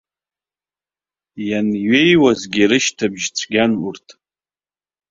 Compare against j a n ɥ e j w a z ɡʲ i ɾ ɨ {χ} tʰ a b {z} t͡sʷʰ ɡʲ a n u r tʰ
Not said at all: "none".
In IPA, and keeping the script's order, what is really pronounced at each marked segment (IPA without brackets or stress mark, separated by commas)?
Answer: ʃ, ʒ